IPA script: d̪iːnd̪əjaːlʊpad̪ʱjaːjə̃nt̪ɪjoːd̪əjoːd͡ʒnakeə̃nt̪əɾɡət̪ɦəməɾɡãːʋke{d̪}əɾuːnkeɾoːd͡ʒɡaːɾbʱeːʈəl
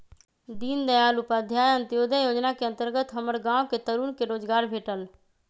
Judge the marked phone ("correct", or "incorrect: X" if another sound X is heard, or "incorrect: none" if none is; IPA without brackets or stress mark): incorrect: t̪